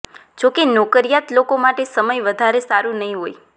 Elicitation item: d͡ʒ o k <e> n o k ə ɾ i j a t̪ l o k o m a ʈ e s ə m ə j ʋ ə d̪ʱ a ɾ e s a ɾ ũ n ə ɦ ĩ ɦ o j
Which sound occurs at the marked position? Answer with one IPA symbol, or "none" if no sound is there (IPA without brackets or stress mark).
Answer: e